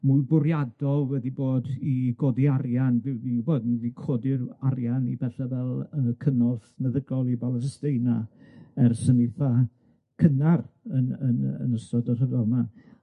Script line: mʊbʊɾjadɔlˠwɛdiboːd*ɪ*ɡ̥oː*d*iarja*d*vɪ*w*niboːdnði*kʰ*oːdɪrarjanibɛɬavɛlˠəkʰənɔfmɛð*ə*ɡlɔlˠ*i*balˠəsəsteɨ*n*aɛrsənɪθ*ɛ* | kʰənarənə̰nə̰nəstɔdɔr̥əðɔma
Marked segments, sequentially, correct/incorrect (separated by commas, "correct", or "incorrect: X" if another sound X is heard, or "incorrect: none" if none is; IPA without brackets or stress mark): incorrect: i, correct, incorrect: n, correct, correct, correct, correct, correct, incorrect: a